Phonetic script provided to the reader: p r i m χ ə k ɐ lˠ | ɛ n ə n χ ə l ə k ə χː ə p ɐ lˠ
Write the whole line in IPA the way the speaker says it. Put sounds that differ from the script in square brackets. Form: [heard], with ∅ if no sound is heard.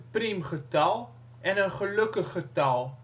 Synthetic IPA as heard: p r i m χ ə [t] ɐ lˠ | ɛ n ə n χ ə l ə k ə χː ə [t] ɐ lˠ